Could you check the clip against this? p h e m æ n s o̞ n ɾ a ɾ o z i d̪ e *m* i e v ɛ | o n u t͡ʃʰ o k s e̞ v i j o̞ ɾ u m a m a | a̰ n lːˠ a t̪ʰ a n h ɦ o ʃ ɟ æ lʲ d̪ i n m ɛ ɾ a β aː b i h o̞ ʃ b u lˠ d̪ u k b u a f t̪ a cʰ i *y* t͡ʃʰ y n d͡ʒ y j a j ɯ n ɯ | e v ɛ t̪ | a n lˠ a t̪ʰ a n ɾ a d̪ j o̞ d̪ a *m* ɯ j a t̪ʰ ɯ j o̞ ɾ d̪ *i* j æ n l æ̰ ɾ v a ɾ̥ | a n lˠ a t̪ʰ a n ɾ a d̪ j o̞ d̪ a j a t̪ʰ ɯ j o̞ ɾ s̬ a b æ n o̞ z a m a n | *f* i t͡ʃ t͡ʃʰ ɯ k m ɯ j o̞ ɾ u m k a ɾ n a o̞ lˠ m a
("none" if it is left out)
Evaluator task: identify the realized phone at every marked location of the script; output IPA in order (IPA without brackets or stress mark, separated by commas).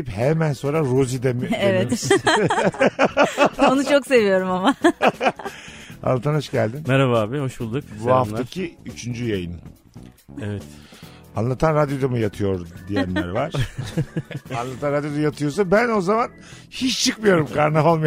m, y, m, i, h